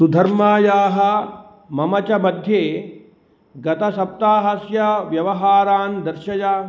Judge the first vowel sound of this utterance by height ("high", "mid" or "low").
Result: high